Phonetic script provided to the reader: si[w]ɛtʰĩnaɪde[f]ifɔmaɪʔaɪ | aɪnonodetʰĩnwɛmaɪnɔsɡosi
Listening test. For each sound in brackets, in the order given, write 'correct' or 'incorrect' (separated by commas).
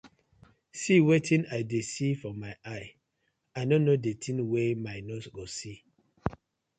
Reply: correct, incorrect